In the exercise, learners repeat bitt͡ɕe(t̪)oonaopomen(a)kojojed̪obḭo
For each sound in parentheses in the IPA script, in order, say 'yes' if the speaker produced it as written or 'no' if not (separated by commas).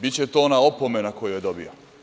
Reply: yes, yes